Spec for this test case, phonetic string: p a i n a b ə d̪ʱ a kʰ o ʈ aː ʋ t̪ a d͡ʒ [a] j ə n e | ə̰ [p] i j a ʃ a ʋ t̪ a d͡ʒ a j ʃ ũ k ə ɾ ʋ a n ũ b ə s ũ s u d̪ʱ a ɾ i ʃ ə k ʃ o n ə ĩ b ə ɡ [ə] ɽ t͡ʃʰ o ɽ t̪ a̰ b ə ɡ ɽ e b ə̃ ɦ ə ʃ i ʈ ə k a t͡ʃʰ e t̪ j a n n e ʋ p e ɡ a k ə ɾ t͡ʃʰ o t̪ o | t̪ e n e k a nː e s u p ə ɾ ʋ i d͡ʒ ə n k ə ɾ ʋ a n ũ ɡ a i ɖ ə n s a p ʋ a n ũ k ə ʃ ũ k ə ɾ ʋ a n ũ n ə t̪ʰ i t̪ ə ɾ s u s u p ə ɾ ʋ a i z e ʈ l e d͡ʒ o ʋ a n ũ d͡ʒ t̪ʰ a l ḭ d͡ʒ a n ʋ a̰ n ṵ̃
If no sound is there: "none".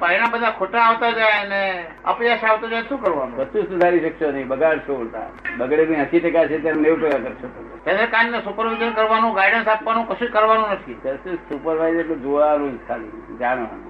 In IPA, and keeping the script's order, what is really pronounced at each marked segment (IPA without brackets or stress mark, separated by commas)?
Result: a, p, a